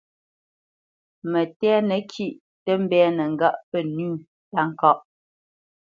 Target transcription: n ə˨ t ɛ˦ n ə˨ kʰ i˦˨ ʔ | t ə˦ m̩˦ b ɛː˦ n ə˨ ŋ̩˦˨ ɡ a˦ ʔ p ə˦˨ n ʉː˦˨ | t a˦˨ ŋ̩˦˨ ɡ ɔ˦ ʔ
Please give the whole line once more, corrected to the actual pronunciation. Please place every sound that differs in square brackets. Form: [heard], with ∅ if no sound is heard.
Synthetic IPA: [m] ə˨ t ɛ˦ n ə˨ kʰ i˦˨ ʔ | t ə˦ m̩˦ b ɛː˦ n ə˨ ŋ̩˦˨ ɡ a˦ ʔ p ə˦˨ n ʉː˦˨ | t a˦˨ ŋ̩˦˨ [k] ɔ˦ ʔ